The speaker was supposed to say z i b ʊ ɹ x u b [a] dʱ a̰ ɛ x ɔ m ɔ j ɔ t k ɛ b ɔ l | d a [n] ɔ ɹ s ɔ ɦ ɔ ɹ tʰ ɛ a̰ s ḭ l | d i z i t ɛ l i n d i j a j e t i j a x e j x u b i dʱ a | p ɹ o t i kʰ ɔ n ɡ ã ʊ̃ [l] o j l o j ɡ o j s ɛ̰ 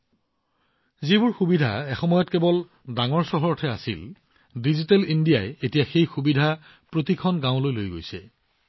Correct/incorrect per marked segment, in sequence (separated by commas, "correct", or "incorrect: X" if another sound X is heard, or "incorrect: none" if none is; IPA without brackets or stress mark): incorrect: i, incorrect: ŋ, correct